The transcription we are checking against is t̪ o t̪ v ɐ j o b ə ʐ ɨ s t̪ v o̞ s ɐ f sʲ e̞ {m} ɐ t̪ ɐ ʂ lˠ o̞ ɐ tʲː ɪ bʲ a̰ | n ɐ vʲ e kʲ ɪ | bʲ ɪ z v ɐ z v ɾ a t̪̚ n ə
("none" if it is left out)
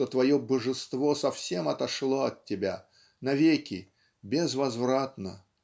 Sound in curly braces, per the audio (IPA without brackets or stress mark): m